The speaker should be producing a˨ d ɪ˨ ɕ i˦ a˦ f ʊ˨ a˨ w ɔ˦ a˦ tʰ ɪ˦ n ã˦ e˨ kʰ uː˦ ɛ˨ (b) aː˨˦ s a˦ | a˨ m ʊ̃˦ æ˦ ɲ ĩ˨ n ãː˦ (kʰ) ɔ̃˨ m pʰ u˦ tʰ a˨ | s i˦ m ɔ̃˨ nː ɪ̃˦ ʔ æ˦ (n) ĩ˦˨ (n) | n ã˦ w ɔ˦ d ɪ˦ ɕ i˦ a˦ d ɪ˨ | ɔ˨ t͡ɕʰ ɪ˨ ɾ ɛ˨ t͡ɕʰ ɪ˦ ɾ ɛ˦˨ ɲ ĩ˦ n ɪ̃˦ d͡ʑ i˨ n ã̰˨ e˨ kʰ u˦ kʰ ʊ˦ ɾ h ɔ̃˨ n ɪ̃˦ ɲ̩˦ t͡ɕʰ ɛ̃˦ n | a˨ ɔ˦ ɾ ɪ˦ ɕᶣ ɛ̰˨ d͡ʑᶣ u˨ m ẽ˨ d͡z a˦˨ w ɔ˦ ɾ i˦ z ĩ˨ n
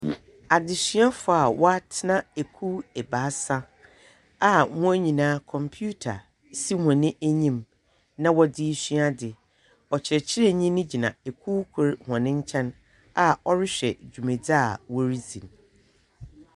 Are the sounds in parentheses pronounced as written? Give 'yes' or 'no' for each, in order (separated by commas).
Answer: yes, yes, no, no